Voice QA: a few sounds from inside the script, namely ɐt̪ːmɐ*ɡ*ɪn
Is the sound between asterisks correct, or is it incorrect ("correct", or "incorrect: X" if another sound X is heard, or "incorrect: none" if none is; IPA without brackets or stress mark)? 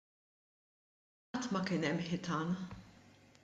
incorrect: k